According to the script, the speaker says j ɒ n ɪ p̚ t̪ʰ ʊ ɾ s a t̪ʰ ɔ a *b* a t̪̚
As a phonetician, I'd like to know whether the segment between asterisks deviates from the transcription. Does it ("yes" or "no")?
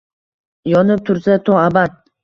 no